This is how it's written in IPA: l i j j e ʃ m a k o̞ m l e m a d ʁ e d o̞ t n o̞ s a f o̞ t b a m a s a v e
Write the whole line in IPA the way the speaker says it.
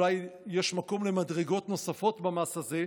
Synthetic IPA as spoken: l a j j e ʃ m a k o̞ m l e m a d ʁ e ɡ o̞ t n o̞ s a f o̞ t b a m a s a z e